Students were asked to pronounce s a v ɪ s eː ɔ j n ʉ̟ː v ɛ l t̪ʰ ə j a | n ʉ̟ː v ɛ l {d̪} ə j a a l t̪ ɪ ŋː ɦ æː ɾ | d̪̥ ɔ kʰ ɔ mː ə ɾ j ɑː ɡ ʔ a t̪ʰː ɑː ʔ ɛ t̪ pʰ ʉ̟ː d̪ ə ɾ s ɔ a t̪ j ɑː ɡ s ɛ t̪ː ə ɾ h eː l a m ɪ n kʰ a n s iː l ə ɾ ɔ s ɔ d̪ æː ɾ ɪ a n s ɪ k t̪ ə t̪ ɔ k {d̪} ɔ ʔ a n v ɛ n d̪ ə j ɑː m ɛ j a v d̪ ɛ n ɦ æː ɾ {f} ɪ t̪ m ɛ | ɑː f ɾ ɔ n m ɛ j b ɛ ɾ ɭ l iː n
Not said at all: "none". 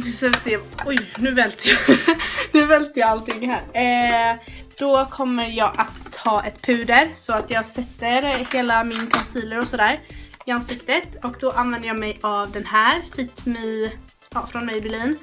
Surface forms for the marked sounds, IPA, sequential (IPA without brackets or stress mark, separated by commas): t̪, d̪, f